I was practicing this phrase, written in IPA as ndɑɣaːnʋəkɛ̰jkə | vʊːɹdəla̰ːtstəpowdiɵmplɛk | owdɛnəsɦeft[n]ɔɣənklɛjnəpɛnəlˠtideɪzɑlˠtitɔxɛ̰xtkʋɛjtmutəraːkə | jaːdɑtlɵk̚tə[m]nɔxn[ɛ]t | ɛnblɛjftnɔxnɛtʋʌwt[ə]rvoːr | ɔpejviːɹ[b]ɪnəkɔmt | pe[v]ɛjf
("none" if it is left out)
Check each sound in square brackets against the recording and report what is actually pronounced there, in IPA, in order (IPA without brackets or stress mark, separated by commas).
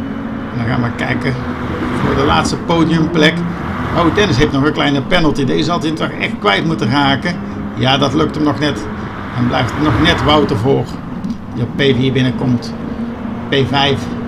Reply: n, m, ɛ, ə, b, v